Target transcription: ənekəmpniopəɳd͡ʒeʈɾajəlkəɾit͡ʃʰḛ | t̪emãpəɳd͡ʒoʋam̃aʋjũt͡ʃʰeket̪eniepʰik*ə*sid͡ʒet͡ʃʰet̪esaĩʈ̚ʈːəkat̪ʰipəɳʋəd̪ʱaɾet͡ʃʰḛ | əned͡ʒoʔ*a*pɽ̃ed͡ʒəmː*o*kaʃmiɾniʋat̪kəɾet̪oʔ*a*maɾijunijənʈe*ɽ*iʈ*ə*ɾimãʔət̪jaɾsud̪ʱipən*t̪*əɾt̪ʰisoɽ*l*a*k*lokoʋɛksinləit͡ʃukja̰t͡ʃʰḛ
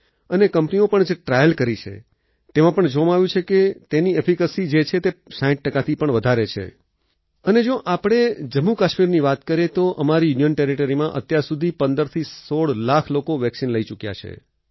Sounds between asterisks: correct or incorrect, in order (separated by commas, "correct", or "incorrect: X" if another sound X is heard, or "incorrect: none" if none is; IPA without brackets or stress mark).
correct, correct, incorrect: u, incorrect: ə, incorrect: ɾ, correct, incorrect: d̪, correct, incorrect: kʰ